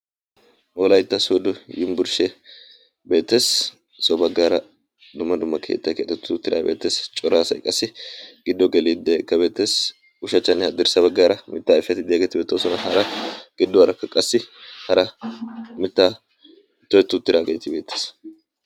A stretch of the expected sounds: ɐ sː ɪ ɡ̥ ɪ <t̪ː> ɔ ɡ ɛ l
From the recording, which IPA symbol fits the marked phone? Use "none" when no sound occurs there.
d̪ː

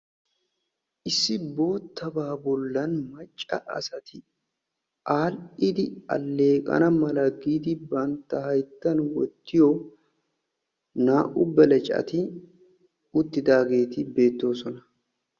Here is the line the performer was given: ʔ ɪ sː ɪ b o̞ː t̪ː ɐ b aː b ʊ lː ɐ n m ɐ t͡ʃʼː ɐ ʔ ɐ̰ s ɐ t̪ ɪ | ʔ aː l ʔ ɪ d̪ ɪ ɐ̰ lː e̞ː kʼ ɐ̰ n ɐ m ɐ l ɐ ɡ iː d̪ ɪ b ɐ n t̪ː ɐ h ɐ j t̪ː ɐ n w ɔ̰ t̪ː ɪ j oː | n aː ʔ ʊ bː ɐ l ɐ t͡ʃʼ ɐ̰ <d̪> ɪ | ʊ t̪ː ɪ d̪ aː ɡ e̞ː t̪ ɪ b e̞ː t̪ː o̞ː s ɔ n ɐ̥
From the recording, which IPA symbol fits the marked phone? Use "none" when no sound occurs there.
t̪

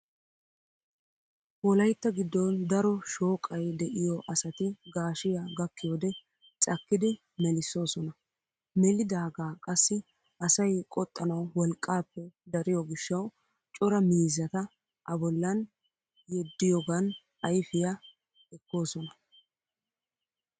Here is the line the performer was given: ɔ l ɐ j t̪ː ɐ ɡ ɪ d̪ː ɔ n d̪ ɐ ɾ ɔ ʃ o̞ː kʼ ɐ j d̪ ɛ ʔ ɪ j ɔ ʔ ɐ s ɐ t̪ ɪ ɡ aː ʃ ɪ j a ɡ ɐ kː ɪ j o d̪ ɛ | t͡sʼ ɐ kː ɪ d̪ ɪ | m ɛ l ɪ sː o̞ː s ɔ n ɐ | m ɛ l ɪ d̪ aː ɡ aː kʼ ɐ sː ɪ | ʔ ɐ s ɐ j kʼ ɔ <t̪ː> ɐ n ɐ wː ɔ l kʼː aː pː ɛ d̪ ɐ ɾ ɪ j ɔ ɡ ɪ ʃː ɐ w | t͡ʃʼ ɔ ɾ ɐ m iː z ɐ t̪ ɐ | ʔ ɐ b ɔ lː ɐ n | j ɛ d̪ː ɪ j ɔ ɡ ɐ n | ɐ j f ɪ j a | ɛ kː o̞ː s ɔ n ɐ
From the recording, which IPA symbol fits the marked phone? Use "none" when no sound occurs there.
t̪ʼː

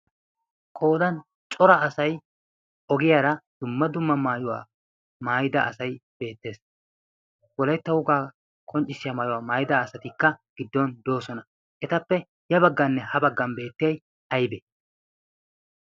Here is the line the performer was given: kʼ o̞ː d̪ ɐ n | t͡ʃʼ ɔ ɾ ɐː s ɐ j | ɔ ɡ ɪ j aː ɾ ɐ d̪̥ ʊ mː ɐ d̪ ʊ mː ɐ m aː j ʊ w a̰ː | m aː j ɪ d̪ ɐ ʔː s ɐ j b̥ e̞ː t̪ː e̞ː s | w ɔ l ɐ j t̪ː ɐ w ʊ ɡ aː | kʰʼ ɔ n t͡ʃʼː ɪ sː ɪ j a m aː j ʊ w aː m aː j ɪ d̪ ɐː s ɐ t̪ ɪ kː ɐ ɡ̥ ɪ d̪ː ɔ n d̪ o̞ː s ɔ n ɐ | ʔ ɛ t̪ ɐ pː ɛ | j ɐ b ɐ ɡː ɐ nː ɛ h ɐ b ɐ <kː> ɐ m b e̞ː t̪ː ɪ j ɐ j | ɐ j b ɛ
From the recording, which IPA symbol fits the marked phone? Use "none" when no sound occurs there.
ɡː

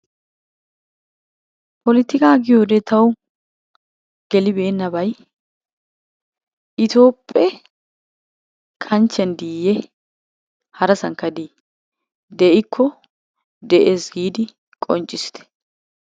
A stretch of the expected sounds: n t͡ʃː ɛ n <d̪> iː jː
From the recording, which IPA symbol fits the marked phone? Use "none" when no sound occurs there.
d̪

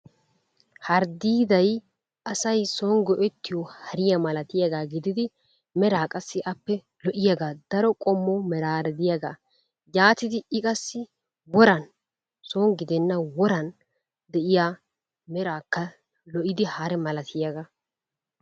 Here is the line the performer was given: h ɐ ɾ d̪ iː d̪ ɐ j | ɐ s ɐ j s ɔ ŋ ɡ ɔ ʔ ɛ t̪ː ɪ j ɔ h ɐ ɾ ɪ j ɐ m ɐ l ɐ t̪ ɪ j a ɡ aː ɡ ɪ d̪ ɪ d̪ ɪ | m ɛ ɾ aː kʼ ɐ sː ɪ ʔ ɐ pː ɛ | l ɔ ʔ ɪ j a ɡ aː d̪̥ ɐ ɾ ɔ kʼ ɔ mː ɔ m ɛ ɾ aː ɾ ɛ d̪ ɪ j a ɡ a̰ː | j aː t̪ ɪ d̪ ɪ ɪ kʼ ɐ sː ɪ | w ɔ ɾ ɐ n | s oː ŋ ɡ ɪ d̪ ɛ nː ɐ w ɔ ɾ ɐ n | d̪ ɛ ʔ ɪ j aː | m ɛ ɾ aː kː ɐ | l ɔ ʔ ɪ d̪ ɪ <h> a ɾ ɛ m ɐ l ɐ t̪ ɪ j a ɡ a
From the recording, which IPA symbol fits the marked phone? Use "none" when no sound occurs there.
h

